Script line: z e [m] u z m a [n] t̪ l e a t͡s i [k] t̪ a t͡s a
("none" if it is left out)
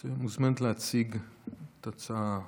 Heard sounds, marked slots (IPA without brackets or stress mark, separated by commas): m, n, ɡ